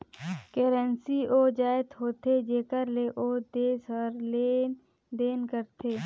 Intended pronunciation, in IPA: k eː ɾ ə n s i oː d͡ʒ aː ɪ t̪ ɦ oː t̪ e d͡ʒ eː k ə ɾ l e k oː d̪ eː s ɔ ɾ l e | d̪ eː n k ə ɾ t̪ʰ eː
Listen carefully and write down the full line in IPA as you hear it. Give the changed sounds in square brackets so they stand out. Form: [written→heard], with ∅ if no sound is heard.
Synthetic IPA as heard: k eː ɾ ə n s i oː d͡ʒ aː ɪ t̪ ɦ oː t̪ e d͡ʒ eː k ə ɾ l e [k→ʔ] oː d̪ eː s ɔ ɾ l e | d̪ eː n k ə ɾ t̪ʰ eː